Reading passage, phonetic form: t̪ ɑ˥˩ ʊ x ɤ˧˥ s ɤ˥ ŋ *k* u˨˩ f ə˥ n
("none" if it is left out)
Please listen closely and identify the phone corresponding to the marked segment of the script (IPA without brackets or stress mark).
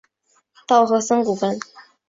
k